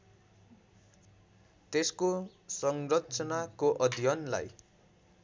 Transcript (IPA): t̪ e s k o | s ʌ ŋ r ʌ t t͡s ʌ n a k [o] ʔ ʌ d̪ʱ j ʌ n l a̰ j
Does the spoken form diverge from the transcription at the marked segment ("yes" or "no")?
no